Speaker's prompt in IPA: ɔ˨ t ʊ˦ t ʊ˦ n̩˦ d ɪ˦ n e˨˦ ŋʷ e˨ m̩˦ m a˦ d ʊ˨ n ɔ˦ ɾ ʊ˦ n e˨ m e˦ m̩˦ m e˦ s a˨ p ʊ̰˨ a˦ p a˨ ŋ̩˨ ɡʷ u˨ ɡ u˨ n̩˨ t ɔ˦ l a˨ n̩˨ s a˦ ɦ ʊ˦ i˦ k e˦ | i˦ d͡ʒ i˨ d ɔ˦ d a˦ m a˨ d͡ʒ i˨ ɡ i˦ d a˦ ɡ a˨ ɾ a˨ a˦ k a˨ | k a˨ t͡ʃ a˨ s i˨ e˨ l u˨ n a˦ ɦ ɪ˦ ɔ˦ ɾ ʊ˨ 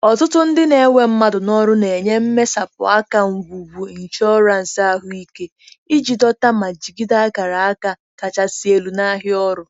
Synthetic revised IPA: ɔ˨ t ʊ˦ t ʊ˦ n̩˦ d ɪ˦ n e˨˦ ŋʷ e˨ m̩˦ m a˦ d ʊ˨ n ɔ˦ ɾ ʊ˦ n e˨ ɲ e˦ m̩˦ m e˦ s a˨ p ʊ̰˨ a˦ k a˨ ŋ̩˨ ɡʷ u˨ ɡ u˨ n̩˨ t͡ʃ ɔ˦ ɾ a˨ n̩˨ s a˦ ɦ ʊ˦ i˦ k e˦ | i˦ d͡ʒ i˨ d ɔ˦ t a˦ m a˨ d͡ʒ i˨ ɡ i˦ d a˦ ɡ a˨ ɾ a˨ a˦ k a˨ | k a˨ t͡ʃ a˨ s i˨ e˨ l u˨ n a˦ ɦ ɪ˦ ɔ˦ ɾ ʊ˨